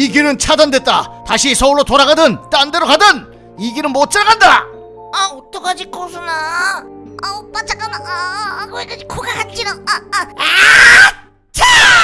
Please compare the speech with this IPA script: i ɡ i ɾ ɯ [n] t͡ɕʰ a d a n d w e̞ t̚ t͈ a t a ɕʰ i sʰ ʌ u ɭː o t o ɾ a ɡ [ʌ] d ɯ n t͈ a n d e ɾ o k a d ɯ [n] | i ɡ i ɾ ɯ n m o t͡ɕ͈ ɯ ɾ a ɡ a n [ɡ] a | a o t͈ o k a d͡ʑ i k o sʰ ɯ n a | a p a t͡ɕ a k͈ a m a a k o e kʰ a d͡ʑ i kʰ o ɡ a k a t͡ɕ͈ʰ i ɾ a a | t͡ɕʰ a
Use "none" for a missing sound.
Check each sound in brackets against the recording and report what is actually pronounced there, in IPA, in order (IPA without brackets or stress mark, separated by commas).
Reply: n, a, n, d